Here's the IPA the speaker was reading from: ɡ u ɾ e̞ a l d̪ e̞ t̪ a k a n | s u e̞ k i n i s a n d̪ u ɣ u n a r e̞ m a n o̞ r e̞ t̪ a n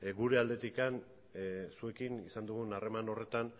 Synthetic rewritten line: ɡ u ɾ e̞ a l d̪ e̞ t̪ i k a n | s u e̞ k i n i s a n d̪ u ɣ u n a r e̞ m a n o̞ r e̞ t̪ a n